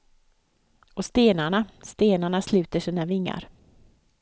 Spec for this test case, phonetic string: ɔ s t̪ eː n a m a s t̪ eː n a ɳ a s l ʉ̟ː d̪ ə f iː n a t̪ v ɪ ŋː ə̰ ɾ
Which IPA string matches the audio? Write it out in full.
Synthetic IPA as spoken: ɔ s t̪ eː n a ɳ a s t̪ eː n a ɳ a s l ʉ̟ː t̪ ə ʂ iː n a v ɪ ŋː a̰ ɾ